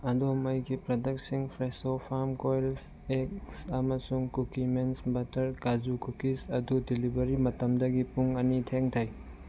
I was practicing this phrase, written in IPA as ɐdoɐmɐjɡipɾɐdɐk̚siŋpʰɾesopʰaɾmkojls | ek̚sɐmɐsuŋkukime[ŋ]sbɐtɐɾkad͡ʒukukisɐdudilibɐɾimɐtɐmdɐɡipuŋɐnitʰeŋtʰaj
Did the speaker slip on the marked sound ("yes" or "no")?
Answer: yes